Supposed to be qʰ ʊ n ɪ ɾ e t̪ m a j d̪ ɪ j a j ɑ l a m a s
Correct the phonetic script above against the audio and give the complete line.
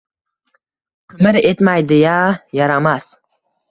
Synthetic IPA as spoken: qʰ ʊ m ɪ ɾ e t̪ m a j d̪ ɪ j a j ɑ ɾ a m a s